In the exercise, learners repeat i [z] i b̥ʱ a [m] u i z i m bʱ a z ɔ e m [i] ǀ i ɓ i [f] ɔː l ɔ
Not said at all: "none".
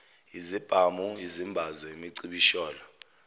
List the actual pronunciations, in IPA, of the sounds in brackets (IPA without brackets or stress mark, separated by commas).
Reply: z, m, i, ʃ